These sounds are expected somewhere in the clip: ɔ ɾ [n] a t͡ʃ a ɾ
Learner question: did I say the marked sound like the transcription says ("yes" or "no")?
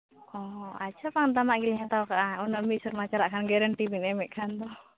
no